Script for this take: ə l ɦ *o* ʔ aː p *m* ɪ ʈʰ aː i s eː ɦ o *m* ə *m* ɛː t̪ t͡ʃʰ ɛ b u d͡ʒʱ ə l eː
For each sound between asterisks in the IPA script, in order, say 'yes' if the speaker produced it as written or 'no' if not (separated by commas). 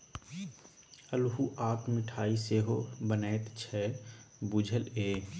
no, yes, no, no